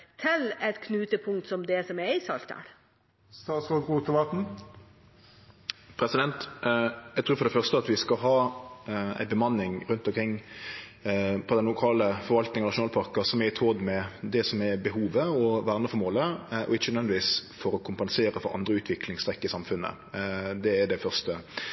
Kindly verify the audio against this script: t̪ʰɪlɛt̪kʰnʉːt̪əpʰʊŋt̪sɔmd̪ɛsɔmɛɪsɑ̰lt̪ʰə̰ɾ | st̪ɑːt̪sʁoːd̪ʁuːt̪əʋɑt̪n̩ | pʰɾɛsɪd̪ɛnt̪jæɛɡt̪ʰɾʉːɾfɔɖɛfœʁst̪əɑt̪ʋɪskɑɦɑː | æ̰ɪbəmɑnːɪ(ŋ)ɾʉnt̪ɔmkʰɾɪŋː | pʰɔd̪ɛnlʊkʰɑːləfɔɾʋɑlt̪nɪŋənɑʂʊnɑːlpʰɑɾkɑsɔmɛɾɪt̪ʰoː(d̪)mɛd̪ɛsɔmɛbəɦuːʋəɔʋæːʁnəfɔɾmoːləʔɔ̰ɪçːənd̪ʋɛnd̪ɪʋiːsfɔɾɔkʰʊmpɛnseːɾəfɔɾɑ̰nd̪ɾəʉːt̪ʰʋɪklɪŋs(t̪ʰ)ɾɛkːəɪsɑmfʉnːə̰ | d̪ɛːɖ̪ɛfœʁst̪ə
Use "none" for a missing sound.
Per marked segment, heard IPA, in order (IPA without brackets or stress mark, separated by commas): ŋ, d̪, t̪